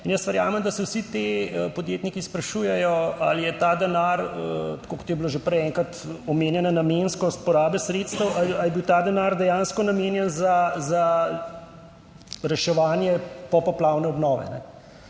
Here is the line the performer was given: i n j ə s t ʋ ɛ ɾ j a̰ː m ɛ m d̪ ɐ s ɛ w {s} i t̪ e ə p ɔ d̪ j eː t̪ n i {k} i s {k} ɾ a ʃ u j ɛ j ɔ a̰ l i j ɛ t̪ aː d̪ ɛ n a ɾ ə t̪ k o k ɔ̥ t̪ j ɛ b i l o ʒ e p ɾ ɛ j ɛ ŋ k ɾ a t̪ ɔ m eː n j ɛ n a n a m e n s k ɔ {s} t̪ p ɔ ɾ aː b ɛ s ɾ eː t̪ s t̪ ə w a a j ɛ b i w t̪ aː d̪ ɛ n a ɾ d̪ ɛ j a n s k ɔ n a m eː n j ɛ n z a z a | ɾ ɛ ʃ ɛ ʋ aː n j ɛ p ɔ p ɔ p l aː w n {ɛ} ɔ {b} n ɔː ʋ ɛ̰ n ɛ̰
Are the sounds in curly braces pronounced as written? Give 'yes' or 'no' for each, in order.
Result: yes, yes, no, yes, yes, yes

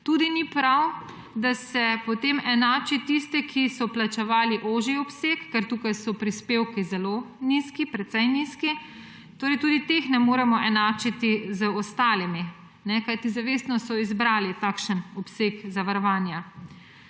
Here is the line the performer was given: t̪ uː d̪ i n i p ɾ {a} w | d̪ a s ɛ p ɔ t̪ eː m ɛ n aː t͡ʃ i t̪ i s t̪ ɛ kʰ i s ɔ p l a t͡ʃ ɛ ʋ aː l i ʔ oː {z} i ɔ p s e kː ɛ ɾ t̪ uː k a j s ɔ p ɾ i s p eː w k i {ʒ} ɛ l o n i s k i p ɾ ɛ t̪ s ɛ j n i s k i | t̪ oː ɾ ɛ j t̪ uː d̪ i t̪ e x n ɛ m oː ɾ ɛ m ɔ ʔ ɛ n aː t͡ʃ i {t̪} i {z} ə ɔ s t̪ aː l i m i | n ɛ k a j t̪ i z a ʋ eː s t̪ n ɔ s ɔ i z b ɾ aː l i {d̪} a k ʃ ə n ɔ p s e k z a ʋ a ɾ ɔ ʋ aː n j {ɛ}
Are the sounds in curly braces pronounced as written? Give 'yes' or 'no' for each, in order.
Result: yes, no, no, yes, yes, no, no

